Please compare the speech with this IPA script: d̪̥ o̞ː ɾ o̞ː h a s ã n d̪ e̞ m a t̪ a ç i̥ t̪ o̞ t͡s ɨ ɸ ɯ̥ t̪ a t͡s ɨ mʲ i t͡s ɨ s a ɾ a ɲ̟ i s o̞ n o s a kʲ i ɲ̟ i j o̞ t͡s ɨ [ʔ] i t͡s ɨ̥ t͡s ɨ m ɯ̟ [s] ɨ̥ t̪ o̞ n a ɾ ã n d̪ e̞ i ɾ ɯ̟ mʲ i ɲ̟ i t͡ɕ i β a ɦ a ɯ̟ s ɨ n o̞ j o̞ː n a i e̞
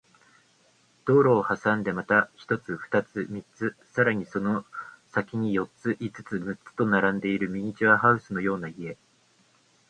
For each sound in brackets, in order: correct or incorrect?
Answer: correct, incorrect

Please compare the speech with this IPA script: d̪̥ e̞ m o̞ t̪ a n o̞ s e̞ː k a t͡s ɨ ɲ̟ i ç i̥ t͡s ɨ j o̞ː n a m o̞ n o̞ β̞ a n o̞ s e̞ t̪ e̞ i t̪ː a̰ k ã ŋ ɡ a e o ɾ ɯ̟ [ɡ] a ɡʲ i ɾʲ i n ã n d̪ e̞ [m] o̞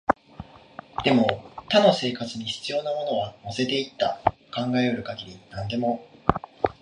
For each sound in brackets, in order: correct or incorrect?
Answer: incorrect, correct

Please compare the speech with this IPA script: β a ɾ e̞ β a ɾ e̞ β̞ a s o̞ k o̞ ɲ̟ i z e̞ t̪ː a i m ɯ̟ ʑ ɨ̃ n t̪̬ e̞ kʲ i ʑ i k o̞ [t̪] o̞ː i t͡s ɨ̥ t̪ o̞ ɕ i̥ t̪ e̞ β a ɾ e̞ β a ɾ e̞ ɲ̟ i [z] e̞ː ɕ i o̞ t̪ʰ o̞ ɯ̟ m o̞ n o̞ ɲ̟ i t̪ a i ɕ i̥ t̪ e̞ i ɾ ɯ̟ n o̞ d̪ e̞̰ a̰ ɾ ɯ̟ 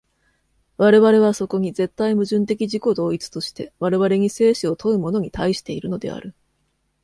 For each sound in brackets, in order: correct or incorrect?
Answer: incorrect, incorrect

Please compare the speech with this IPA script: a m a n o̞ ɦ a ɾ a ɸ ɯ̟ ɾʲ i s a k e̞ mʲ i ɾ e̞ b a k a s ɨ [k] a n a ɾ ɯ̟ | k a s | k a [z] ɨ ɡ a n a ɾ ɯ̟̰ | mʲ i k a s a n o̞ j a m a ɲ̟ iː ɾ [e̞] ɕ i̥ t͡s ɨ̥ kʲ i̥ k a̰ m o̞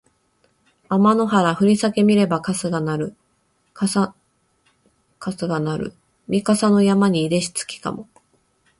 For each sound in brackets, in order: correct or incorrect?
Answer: incorrect, incorrect, correct

